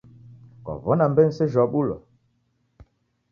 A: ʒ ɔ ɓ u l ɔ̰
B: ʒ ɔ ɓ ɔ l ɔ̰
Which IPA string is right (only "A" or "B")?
A